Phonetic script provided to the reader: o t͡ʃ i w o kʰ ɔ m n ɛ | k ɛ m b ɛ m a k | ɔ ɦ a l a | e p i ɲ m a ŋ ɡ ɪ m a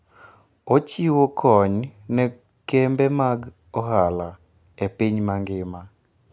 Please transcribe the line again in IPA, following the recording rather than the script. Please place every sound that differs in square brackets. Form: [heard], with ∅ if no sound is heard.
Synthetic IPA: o t͡ʃ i w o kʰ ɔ [ɲ] n ɛ | k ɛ m b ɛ m a [ɡ] | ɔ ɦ a l a | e p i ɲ m a ŋ ɡ ɪ m a